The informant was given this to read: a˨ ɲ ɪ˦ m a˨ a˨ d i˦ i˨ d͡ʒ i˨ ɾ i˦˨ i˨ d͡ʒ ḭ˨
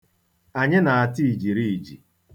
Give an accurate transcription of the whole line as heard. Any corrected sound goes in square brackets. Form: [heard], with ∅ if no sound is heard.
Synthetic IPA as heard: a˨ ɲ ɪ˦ [n] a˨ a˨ [t] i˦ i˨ d͡ʒ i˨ ɾ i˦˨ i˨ d͡ʒ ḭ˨